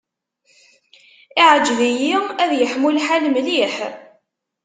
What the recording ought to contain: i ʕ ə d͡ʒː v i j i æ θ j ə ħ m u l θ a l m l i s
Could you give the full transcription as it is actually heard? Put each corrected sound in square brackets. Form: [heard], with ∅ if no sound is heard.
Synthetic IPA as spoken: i ʕ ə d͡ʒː v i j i æ [ð] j ə ħ m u l [ħ] a l m l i [ħ]

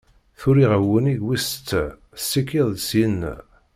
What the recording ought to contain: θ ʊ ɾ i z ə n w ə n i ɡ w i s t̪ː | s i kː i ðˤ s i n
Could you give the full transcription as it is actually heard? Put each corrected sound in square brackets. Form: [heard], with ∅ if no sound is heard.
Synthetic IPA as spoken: θ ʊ ɾ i [ʁ] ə [∅] w ə n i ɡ w i s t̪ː | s i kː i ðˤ s i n

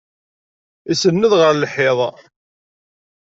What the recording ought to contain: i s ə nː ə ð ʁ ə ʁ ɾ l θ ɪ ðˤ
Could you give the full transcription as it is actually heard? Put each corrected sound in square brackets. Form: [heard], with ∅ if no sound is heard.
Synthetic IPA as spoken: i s ə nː ə ð ʁ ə [∅] ɾ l [ħ] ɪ ðˤ

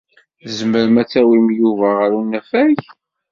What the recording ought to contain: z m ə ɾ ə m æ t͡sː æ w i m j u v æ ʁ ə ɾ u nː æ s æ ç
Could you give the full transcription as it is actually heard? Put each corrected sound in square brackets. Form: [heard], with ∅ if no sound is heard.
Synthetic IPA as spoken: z m ə ɾ ə m æ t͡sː æ w i m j u v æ ʁ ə ɾ u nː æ [f] æ ç

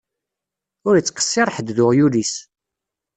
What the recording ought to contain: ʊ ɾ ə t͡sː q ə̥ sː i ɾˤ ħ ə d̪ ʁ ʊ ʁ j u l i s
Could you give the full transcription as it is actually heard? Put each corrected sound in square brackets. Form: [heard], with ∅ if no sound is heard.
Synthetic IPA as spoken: ʊ ɾ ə t͡sː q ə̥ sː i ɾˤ ħ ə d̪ [ð] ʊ ʁ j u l i s

